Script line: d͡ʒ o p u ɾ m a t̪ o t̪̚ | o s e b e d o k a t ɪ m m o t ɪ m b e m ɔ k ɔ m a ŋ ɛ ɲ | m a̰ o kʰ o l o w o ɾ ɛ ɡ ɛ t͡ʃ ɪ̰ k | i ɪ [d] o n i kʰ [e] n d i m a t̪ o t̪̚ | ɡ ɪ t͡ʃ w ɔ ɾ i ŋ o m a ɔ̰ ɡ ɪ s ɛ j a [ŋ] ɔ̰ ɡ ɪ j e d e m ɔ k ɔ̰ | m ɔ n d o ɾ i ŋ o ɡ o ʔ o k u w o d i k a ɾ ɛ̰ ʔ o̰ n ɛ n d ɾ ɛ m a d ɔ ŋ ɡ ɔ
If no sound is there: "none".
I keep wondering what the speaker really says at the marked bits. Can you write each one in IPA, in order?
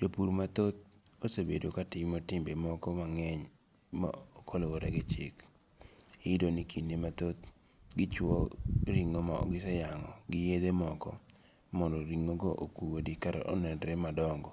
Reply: d, i, ŋ

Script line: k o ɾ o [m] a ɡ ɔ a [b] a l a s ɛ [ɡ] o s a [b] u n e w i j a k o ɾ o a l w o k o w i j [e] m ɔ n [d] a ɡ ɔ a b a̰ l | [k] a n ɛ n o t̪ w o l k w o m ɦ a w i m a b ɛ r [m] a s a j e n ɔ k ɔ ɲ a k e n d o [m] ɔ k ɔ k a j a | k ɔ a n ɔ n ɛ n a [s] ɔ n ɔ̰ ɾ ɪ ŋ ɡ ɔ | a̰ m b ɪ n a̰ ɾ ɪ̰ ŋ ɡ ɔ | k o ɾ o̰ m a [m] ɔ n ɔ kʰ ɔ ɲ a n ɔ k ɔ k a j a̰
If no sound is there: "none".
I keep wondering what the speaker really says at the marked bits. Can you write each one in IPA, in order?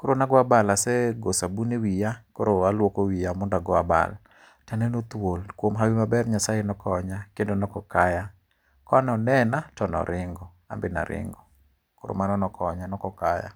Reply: n, b, ɡ, b, a, d, t, ɲ, n, t, n

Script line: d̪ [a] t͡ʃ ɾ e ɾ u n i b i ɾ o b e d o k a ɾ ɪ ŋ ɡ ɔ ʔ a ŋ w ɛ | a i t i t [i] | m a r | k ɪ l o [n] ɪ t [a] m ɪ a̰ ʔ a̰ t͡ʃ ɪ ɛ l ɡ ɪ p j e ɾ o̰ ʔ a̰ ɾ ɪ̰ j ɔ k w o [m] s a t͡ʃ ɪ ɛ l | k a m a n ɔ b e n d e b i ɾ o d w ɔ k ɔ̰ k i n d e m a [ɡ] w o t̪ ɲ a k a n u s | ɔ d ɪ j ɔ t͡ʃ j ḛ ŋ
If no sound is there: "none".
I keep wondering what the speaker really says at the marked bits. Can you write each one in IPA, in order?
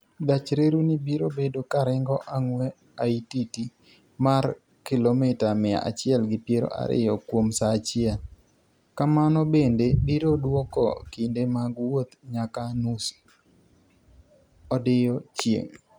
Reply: a, i, m, a, m, ɡ

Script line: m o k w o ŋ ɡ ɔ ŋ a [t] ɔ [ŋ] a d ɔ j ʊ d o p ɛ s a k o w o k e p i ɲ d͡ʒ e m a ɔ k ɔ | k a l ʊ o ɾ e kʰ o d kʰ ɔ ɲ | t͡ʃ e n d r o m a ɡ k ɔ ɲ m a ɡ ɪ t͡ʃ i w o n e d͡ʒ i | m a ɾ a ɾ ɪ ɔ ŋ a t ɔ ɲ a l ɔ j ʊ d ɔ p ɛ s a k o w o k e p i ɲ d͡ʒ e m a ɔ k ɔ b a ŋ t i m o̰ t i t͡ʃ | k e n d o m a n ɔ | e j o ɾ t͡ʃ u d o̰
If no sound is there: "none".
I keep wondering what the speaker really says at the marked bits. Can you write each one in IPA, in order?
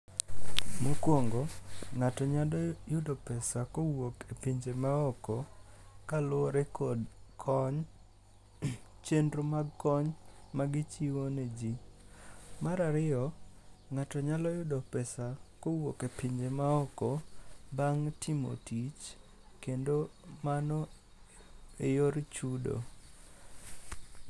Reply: t, ɲ

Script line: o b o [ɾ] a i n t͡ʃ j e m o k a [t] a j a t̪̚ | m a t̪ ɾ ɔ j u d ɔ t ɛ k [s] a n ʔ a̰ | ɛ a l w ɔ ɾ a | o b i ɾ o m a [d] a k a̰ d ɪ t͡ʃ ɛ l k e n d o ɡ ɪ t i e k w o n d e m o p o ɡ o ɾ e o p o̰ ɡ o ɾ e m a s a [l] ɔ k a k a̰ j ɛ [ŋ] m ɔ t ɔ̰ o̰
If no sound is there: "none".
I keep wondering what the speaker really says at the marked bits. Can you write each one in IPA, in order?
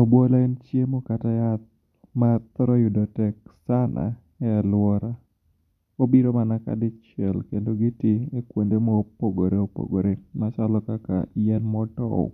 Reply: l, t, s, n, l, n

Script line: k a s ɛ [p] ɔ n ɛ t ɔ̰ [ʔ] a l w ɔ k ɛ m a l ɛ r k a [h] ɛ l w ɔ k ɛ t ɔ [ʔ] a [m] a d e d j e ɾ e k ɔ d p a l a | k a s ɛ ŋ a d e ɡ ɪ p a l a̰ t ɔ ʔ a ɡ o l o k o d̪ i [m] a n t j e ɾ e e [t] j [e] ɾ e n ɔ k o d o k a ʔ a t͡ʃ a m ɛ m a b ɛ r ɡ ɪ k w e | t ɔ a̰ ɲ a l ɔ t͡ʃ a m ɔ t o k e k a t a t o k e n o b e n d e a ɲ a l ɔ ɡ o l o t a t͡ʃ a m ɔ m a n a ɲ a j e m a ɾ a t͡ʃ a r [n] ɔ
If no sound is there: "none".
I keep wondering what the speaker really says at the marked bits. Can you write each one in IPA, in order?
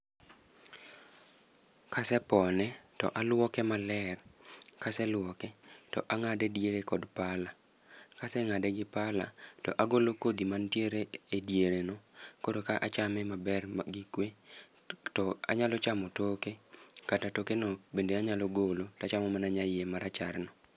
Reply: p, ʔ, s, ʔ, ŋ, m, d, e, n

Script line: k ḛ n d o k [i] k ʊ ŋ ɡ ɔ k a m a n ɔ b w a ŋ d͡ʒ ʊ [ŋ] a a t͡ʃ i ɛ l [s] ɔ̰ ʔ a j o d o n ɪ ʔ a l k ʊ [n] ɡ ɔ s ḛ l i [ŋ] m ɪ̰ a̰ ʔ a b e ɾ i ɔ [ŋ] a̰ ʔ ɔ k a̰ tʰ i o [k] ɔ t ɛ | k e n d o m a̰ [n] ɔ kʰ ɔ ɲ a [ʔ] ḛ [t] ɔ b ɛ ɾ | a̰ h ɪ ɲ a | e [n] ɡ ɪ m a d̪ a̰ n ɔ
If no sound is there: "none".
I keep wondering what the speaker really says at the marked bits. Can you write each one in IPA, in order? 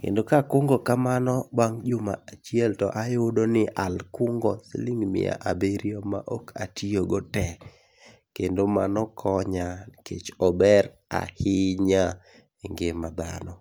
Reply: a, m, t, ŋ, ŋ, m, ɡ, n, k, t͡ʃ, ŋ

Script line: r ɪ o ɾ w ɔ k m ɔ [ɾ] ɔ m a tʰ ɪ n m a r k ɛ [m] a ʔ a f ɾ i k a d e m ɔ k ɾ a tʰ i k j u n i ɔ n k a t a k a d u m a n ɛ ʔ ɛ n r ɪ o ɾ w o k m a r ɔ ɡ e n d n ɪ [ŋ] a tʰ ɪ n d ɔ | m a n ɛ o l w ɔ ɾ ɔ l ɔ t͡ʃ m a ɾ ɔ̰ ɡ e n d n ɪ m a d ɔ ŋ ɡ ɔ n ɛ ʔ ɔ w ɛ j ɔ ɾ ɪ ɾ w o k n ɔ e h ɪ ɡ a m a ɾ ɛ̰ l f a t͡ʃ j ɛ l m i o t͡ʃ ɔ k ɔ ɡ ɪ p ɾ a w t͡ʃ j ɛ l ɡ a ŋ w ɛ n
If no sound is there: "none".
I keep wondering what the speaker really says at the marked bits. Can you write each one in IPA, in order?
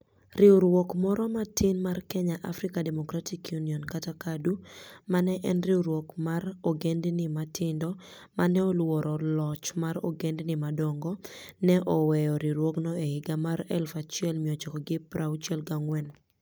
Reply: ɾ, ɲ, m

